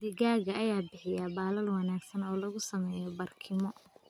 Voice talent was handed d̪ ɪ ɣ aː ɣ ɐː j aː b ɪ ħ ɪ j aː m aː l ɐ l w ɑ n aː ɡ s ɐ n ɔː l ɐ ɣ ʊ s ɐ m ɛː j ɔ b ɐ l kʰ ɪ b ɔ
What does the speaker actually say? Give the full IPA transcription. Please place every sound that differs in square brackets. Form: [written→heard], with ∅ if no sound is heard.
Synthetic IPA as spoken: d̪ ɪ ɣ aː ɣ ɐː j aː b ɪ ħ ɪ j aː [m→b] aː l ɐ l w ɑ n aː ɡ s ɐ n ɔː l ɐ ɣ ʊ s ɐ m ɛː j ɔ b ɐ [l→r] kʰ ɪ [b→m] ɔ